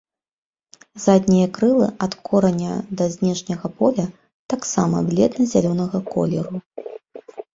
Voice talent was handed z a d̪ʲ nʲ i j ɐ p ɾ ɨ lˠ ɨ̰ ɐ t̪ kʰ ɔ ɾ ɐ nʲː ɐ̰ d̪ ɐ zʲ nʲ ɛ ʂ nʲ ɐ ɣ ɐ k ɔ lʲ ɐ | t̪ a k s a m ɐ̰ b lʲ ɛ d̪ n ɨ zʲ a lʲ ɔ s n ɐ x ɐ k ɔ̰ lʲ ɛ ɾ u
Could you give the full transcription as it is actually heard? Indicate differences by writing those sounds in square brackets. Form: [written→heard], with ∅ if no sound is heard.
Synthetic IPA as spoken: z a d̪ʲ nʲ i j ɐ [p→k] ɾ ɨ lˠ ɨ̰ ɐ t̪ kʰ ɔ ɾ ɐ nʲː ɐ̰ d̪ ɐ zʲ nʲ ɛ ʂ nʲ ɐ ɣ ɐ [k→p] ɔ lʲ ɐ | t̪ a k s a m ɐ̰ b lʲ ɛ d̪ n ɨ zʲ a lʲ ɔ [s→∅] n ɐ [x→ɣ] ɐ k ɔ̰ lʲ ɛ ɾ u